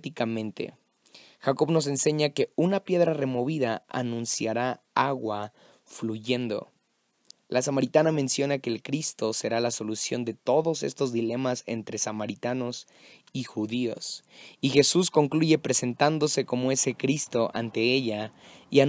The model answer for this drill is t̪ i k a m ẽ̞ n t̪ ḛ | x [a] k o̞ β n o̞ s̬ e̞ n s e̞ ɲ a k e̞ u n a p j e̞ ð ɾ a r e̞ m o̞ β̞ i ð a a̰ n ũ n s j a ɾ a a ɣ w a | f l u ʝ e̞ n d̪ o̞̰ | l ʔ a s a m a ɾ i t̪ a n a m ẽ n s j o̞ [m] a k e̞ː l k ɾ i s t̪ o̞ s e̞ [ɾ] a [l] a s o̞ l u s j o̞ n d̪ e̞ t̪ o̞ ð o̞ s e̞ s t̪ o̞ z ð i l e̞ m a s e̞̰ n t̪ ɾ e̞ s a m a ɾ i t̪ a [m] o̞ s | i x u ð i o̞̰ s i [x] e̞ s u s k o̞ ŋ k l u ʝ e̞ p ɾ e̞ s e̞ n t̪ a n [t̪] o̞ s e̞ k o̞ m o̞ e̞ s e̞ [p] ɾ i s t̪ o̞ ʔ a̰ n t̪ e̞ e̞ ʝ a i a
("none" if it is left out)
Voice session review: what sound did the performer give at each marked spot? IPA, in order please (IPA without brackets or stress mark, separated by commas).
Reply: a, n, ɾ, l, n, x, d̪, k